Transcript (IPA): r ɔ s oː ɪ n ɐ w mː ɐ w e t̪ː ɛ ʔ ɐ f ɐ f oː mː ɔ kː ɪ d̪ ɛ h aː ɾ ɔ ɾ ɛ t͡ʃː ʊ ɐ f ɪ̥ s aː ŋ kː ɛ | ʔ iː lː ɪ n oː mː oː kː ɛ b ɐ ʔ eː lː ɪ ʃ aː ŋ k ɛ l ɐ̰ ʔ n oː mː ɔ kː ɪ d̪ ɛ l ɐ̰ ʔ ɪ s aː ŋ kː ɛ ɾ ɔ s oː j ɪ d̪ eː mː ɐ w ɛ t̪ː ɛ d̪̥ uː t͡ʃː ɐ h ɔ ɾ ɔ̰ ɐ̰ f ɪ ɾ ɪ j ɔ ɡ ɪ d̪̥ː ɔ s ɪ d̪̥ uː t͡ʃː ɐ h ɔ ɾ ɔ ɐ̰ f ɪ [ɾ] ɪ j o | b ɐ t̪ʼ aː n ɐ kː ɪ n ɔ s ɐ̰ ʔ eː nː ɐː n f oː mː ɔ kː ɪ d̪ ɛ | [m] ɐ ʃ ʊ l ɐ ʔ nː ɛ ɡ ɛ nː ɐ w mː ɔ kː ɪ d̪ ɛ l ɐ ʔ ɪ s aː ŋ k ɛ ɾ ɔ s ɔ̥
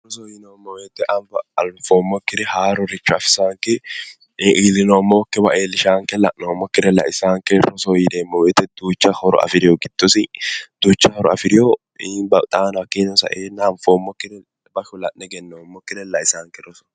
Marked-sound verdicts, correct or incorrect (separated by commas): correct, incorrect